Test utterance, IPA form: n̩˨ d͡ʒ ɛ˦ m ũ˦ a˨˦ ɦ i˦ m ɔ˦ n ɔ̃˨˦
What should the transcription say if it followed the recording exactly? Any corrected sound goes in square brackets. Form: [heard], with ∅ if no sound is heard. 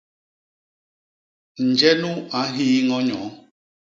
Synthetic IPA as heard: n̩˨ d͡ʒ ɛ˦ [n] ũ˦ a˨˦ ɦ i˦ [ŋ] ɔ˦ [ɲ] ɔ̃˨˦